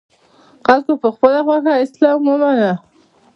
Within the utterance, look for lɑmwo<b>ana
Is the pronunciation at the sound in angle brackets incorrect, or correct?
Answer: incorrect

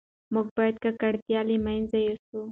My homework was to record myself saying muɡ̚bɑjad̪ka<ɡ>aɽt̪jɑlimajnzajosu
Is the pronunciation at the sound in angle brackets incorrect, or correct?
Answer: incorrect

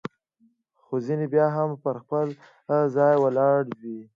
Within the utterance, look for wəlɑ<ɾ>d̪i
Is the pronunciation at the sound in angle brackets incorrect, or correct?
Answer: incorrect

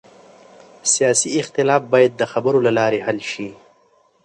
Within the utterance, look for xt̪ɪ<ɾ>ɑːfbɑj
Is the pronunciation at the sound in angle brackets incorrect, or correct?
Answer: incorrect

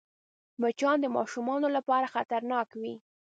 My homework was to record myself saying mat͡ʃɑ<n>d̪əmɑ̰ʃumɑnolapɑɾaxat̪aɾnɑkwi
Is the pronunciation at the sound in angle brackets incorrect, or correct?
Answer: correct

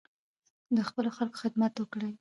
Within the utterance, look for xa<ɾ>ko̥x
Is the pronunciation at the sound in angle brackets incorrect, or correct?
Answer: incorrect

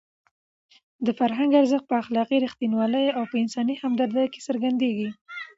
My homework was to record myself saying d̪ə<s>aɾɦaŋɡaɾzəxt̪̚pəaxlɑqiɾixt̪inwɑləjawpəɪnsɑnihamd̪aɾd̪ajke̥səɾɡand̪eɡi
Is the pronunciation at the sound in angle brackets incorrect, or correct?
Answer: incorrect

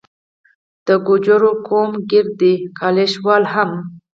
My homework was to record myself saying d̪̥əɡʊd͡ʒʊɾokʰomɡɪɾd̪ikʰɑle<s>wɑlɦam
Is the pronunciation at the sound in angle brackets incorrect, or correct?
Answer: incorrect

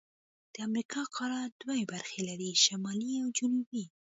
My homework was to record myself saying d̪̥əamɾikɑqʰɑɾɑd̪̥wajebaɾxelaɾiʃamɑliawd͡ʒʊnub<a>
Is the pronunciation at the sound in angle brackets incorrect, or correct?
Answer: incorrect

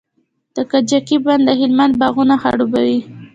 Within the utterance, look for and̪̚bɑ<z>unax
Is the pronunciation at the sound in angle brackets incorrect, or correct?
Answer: incorrect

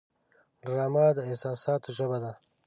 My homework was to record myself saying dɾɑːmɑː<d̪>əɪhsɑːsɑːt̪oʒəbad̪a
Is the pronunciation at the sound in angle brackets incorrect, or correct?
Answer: correct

